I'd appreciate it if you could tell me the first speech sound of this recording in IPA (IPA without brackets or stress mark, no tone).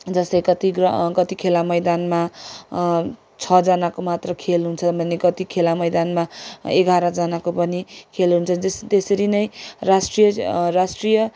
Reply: d͡z